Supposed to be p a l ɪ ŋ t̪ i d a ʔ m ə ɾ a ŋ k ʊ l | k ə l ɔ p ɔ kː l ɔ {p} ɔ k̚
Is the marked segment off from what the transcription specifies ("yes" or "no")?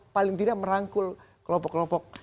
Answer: no